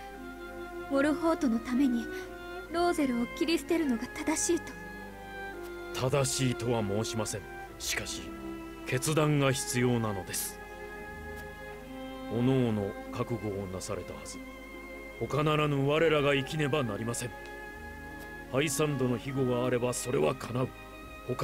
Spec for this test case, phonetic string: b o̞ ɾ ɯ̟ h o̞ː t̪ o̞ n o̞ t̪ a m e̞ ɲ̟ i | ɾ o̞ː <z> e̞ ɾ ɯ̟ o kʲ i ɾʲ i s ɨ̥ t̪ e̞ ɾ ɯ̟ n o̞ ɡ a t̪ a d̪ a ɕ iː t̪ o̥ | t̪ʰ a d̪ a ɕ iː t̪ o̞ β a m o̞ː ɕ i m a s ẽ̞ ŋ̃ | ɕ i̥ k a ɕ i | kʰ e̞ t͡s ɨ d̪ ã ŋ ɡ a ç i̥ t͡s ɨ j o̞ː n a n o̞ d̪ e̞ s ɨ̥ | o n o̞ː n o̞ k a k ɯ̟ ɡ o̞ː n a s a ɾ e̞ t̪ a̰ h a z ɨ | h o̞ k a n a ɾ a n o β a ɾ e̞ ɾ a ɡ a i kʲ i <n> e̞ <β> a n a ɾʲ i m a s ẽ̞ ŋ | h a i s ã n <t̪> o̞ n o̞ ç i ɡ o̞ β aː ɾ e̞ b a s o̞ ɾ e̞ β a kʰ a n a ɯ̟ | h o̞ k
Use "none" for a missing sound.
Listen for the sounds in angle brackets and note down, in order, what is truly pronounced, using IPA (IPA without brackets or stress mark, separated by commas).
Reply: z, n, b, d̪